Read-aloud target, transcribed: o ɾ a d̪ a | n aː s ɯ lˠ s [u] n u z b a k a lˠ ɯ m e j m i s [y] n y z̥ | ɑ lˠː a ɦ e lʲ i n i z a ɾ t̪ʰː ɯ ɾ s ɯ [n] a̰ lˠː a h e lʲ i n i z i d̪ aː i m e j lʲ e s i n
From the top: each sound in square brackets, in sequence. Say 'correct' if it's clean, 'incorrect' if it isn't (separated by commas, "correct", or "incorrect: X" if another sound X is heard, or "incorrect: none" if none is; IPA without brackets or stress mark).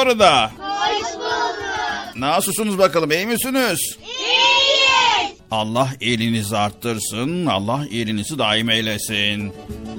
correct, correct, correct